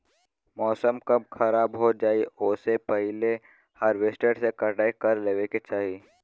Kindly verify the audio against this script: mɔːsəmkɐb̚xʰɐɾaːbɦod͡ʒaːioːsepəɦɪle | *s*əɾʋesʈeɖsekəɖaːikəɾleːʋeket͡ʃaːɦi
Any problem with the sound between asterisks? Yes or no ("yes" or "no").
yes